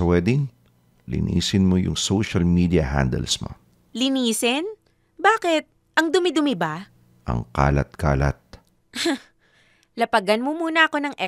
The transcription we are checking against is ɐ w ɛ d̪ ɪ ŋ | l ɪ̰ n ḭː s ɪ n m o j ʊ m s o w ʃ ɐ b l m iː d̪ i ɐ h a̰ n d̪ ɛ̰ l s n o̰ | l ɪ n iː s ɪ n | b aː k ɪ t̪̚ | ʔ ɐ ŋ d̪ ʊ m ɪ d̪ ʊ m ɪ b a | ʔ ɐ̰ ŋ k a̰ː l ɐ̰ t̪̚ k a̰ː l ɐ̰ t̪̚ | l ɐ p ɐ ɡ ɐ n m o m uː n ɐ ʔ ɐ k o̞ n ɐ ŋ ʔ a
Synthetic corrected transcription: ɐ w ɛ d̪ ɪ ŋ | l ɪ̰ n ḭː s ɪ n m o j ʊ ŋ s o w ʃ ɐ l m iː d̪ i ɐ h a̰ n d̪ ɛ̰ l s m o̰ | l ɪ n iː s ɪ n | b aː k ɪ t̪̚ | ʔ ɐ ŋ d̪ ʊ m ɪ d̪ ʊ m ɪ b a | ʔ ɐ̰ ŋ k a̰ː l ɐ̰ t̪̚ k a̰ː l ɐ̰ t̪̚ | l ɐ p ɐ ɡ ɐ n m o m uː n ɐ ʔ ɐ k o̞ n ɐ ŋ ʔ ɛ